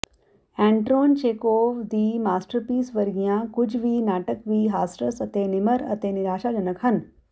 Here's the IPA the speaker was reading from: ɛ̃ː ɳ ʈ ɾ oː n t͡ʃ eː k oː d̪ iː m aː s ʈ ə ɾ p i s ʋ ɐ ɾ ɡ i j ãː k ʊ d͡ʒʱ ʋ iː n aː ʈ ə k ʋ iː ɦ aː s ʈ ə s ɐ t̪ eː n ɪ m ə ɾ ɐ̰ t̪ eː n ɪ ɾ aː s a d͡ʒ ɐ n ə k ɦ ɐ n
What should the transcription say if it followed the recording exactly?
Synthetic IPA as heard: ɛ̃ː ɳ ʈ ɾ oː n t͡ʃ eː k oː d̪ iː m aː s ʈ ə ɾ p iː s ʋ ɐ ɾ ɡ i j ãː k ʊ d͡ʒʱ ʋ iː n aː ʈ ə k ʋ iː ɦ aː s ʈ ə s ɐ t̪ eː n ɪ m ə ɾ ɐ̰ t̪ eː n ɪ ɾ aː ʃ a d͡ʒ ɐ n ə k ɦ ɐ n